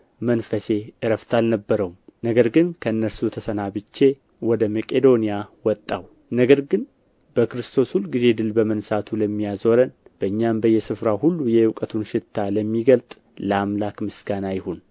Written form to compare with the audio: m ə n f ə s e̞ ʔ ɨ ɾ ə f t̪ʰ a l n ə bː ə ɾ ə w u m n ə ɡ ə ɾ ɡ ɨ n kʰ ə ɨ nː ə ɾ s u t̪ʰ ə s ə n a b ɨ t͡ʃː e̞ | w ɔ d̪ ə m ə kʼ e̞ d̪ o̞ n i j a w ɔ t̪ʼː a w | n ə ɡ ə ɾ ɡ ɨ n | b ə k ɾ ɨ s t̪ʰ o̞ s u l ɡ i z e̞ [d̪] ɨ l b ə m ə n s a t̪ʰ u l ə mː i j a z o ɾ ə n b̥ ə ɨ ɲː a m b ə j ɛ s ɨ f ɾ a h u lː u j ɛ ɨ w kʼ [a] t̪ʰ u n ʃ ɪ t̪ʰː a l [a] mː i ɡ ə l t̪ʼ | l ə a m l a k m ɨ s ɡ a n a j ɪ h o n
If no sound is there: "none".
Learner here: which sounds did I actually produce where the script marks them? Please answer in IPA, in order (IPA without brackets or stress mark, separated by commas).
d̪, ə, ə